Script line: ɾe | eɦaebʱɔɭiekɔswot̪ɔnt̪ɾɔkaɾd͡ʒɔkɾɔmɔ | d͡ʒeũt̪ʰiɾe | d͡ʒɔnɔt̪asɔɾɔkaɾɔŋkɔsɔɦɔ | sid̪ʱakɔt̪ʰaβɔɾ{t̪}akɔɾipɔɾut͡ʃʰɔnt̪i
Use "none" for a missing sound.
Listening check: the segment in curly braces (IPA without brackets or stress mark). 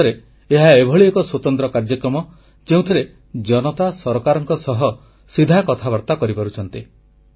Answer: t̪